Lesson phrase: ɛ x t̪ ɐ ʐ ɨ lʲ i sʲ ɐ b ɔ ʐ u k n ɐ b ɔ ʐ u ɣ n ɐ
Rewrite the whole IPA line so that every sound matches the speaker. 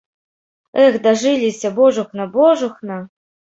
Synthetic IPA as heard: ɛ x d̪ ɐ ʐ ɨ lʲ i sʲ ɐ b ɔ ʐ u x n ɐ b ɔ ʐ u x n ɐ